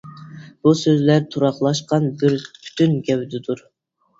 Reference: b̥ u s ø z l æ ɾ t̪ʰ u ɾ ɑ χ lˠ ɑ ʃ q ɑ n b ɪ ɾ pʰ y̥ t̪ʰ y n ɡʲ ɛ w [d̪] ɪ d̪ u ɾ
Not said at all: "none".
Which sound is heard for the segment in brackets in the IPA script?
d̪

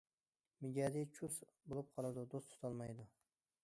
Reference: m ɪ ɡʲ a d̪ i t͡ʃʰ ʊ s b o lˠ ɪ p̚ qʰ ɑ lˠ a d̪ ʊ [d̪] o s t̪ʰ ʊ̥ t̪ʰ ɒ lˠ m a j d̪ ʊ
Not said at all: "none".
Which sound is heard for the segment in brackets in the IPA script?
d̪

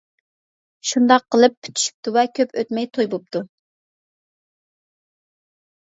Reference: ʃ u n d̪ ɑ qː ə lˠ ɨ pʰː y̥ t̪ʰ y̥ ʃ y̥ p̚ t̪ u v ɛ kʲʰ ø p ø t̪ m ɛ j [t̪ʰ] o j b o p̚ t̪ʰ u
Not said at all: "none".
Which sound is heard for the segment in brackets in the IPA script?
t̪ʰ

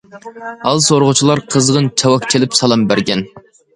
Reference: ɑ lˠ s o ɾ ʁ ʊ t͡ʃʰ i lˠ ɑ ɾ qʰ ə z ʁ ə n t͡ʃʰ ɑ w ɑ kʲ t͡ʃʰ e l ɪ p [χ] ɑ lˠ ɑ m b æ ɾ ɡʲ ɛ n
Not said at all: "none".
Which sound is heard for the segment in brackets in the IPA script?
s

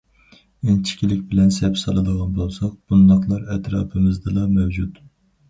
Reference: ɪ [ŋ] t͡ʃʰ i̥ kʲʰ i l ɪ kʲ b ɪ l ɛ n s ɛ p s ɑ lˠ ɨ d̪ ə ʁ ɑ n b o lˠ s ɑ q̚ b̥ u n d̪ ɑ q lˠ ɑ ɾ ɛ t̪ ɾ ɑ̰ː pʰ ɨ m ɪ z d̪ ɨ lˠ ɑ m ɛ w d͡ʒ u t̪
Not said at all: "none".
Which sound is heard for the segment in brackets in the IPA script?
n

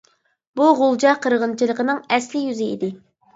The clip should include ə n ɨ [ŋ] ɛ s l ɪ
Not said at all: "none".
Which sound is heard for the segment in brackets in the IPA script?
ŋ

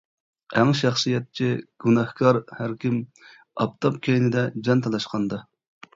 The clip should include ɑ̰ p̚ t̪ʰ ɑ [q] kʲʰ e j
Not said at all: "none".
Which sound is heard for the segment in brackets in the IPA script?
p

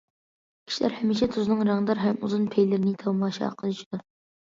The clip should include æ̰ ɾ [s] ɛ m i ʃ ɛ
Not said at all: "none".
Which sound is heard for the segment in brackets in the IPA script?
h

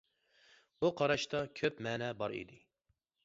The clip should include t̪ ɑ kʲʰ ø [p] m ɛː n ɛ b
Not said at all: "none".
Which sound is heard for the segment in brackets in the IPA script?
p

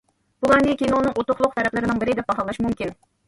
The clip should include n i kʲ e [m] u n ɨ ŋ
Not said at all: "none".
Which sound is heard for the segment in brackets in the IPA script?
n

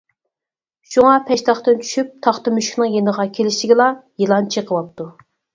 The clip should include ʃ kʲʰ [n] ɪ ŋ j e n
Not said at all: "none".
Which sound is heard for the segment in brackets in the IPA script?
n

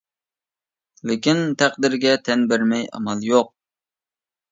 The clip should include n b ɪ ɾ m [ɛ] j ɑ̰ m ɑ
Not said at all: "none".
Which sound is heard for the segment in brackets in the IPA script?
ɛ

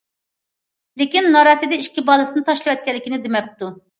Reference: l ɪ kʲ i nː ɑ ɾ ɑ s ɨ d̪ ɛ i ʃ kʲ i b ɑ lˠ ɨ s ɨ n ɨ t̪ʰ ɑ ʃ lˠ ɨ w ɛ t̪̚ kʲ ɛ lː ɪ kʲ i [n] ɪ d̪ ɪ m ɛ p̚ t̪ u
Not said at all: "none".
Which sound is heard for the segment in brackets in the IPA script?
n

